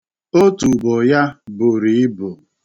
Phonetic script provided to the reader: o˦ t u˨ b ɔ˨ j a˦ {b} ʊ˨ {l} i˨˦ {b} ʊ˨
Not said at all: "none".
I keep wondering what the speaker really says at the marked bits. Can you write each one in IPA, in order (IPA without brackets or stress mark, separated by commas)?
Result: b, ɾ, b